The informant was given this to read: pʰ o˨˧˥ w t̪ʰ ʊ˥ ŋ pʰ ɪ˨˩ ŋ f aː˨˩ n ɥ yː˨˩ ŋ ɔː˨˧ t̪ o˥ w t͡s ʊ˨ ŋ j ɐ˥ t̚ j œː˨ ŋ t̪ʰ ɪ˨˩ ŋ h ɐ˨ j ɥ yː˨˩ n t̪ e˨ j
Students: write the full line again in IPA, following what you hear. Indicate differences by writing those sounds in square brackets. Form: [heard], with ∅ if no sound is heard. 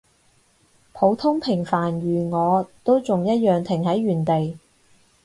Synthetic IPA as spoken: pʰ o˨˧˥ w t̪ʰ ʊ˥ ŋ pʰ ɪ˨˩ ŋ f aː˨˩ n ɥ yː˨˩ ŋ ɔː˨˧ t̪ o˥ w t͡s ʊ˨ ŋ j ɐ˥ t̚ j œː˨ ŋ t̪ʰ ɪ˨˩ ŋ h [ɐ˨˥] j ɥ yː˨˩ n t̪ e˨ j